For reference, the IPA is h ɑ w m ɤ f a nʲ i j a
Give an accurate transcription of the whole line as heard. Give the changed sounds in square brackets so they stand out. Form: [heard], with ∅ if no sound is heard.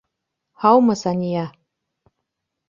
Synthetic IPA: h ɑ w m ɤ [s] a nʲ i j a